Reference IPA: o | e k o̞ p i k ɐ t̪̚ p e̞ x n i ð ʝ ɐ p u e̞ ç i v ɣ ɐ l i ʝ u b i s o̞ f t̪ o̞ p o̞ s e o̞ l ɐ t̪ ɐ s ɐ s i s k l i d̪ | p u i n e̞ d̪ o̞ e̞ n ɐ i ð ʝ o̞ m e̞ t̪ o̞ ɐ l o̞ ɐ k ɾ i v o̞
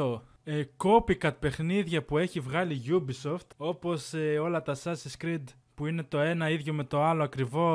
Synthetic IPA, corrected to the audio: o | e k o̞ p i k ɐ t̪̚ p e̞ x n i ð ʝ ɐ p u e̞ ç i v ɣ ɐ l i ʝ u b i s o̞ f t̪ o̞ p o̞ s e o̞ l ɐ t̪ ɐ s ɐ s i s k ɾ i d̪ | p u i n e̞ t̪ o̞ e̞ n ɐ i ð ʝ o̞ m e̞ t̪ o̞ ɐ l o̞ ɐ k ɾ i v o̞